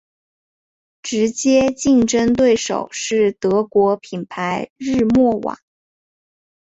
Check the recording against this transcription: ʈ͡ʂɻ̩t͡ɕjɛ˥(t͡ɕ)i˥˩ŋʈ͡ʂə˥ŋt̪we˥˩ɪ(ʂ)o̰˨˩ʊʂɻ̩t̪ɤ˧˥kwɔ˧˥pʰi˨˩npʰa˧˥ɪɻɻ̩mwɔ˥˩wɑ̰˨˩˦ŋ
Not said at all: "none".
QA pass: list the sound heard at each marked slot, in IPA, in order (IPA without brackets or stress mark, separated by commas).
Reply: t͡ɕ, ʂ